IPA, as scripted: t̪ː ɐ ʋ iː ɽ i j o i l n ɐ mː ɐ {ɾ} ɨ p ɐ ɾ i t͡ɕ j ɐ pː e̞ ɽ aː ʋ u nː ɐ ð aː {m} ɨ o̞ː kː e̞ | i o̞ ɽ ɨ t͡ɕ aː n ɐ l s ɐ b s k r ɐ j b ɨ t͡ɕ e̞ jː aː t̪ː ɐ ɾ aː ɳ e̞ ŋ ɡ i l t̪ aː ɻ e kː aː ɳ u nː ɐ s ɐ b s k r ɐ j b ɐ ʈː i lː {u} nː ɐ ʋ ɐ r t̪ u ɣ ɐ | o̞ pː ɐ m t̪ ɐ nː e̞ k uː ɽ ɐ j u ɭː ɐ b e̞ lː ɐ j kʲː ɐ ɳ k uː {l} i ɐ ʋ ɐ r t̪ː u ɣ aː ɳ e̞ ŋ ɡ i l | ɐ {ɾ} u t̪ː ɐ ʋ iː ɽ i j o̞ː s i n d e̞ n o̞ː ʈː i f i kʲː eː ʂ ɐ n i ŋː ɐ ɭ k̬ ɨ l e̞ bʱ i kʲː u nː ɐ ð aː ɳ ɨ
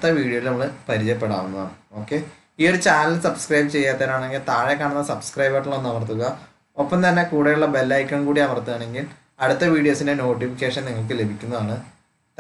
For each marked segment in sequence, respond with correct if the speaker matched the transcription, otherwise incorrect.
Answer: incorrect: ɭ, incorrect: ɳ, incorrect: o, incorrect: ɽ, incorrect: ɽ

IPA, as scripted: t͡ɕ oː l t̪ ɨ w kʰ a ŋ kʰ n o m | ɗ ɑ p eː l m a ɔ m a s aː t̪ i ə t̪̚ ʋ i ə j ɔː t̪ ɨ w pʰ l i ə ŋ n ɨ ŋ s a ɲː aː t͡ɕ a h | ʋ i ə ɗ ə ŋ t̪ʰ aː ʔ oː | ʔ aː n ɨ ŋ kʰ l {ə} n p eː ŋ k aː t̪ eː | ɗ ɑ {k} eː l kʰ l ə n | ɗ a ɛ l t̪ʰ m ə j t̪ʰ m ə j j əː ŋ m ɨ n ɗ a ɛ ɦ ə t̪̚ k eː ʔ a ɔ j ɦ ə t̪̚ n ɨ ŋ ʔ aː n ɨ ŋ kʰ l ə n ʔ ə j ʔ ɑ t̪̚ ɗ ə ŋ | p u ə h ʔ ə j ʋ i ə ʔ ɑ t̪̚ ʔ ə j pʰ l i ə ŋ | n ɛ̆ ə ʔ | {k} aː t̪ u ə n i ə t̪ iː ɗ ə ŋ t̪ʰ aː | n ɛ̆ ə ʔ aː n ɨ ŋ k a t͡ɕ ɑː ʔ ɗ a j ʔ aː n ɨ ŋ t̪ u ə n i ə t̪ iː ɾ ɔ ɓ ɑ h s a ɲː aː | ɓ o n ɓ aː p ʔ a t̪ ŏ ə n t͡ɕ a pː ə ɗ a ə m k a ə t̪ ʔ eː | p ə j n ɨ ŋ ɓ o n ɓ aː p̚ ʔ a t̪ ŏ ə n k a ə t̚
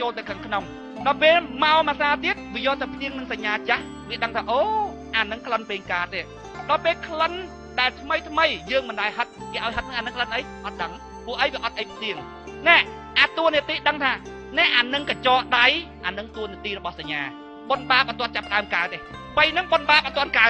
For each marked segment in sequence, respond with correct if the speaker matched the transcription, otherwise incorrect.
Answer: correct, incorrect: p, incorrect: ʔ

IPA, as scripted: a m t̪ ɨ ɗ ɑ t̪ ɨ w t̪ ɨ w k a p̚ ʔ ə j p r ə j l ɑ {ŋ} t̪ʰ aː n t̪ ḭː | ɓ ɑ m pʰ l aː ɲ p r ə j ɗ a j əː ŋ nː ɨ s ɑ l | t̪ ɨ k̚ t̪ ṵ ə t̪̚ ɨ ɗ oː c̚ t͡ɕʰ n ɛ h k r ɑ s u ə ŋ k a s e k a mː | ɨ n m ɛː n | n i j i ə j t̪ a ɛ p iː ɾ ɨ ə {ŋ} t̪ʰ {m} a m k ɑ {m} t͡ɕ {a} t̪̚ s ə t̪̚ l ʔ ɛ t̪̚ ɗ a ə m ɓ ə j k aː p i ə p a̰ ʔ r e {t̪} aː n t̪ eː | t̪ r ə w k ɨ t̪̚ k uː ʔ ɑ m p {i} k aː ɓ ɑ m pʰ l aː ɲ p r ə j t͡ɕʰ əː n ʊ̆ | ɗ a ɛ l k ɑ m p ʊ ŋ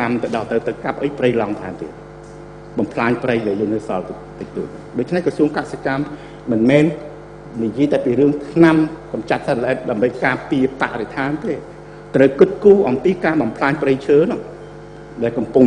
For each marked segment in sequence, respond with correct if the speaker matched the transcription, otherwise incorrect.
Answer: correct, correct, incorrect: n, correct, correct, incorrect: t̪ʰ, incorrect: iː

